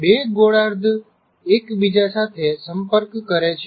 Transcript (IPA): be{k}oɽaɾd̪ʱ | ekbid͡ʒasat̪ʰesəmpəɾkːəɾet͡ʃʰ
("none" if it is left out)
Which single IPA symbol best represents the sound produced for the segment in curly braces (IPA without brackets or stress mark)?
ɡ